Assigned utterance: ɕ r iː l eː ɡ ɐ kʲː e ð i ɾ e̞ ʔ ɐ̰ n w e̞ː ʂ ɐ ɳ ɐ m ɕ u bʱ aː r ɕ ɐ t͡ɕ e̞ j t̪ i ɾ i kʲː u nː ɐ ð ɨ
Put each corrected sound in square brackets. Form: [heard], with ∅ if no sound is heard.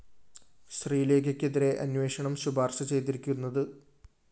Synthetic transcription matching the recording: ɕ r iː l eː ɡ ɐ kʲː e ð i ɾ e̞ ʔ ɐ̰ n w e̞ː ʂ ɐ ɳ ɐ m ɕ u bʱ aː r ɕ ɐ t͡ɕ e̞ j t̪ i ɾ i kʲː u nː ɐ ð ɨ